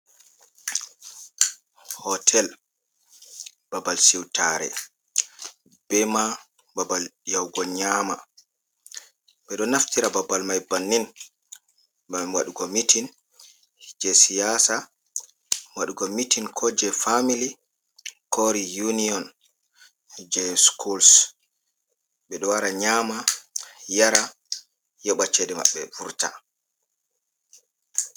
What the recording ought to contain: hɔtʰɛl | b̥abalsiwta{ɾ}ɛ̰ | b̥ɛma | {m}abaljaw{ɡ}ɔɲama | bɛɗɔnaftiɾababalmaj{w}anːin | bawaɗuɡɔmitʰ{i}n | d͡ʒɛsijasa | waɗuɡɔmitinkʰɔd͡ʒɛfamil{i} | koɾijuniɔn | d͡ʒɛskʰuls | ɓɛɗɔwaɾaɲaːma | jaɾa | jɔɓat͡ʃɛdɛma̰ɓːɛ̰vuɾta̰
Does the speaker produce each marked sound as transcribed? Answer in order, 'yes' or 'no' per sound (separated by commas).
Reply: yes, no, yes, no, yes, yes